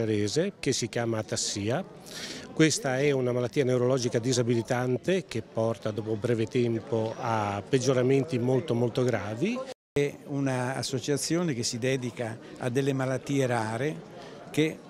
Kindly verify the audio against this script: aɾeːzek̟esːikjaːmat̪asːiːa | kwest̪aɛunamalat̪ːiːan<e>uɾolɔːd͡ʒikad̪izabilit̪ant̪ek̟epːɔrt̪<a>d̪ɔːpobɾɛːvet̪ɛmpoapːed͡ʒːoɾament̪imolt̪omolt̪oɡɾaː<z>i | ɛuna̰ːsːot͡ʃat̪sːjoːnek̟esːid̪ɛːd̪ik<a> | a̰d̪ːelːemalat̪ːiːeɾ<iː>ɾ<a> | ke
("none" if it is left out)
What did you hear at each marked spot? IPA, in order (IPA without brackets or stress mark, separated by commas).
e, a, v, a, aː, e